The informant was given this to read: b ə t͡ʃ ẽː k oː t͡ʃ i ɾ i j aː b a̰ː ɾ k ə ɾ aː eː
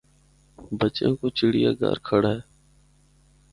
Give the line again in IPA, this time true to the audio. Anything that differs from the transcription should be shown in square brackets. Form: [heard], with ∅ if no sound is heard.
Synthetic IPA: b ə t͡ʃ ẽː k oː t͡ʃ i [ɽ] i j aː [ɡ] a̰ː ɾ [kʰ] ə [ɽ] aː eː